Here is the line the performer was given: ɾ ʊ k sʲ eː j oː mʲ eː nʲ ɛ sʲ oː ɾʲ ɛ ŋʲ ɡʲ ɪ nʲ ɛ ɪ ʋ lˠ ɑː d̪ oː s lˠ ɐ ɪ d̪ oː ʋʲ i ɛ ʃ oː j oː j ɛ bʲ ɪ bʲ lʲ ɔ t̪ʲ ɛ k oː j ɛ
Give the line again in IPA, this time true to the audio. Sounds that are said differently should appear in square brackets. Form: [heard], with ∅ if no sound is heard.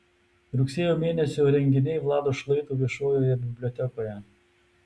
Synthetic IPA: ɾ ʊ k sʲ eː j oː mʲ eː nʲ ɛ sʲ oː ɾʲ ɛ ŋʲ ɡʲ ɪ nʲ ɛ ɪ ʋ lˠ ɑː d̪ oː [ʃ] lˠ ɐ ɪ [t̪] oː ʋʲ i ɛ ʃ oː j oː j ɛ bʲ ɪ bʲ lʲ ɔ t̪ʲ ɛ k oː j ɛ